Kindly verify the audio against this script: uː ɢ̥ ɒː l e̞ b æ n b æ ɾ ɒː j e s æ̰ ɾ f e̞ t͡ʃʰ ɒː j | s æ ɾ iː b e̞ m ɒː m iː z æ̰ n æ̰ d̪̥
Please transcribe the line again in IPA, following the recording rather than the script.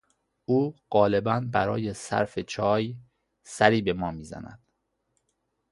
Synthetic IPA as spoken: uː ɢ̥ ɒː l e̞ b æ n b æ ɾ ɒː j e s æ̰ ɾ f e̞ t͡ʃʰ ɒː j | s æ ɾ iː b e̞ m ɒː m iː z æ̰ n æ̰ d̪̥

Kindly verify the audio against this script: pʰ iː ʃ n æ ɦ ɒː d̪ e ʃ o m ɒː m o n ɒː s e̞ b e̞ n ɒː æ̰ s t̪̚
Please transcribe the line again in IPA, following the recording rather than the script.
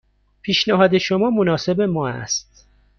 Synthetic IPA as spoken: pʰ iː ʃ n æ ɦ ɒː d̪ e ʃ o m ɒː m o n ɒː s e̞ b e̞ m ɒː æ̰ s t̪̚

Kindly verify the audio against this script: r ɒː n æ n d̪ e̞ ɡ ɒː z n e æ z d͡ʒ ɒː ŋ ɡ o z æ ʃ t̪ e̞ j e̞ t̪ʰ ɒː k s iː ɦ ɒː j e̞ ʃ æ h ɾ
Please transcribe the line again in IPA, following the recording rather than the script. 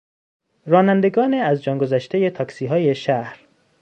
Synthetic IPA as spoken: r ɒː n æ n d̪ e̞ ɡ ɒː n e æ z d͡ʒ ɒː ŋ ɡ o z æ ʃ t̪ e̞ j e̞ t̪ʰ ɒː k s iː ɦ ɒː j e̞ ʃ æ h ɾ

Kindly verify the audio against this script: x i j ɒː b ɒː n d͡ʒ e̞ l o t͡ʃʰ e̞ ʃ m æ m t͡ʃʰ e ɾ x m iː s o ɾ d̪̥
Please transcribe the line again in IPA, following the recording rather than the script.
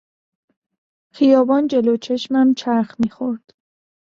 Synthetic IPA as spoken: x i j ɒː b ɒː n d͡ʒ e̞ l o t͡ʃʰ e̞ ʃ m æ m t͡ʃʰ æ ɾ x m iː x o ɾ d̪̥

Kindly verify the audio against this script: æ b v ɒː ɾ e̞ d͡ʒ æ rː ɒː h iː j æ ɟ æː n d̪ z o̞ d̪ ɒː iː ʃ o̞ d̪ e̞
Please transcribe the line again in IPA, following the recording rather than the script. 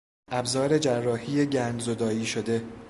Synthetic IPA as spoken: æ b z ɒː ɾ e̞ d͡ʒ æ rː ɒː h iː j e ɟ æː n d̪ z o̞ d̪ ɒː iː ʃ o̞ d̪ e̞

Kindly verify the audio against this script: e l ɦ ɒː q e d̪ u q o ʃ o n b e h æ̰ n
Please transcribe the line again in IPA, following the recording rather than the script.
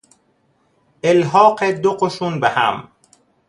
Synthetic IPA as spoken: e l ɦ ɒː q e d̪ o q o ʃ u n b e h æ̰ m

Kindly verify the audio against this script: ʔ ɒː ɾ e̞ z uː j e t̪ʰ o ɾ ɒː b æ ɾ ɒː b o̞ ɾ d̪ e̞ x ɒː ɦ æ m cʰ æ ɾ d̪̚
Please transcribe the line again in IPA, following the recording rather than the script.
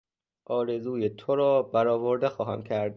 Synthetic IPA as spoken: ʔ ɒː ɾ e̞ z uː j e t̪ʰ o ɾ ɒː b æ ɾ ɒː v o̞ ɾ d̪ e̞ x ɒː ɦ æ m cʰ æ ɾ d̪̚

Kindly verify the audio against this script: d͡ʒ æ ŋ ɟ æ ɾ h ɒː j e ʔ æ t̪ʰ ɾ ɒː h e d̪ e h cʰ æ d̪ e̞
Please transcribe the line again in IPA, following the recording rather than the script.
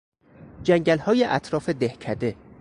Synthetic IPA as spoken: d͡ʒ æ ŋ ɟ æ l h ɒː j e ʔ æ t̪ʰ ɾ ɒː f e d̪ e h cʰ æ d̪ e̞

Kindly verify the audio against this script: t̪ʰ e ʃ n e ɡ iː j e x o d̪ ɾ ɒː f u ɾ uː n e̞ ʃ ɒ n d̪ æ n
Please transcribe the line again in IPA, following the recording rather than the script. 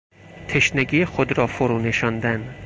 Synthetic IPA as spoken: t̪ʰ e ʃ n e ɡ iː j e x o d̪ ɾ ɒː f o ɾ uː n e̞ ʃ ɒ n d̪ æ n

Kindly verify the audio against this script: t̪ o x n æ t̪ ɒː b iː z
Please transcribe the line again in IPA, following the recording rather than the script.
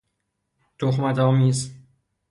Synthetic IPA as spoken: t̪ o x m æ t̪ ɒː m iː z

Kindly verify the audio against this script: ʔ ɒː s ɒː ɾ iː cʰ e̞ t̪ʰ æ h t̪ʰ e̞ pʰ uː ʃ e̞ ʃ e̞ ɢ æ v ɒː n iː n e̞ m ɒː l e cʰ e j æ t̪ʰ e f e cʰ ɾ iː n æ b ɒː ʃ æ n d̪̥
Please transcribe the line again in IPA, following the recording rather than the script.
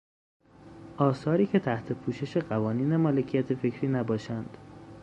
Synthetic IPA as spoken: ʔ ɒː s ɒː ɾ iː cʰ e̞ t̪ʰ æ h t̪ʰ e̞ pʰ uː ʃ e̞ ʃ e̞ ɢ æ v ɒː n iː n e̞ m ɒː l e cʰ i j æ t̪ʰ e f e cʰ ɾ iː n æ b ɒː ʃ æ n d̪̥

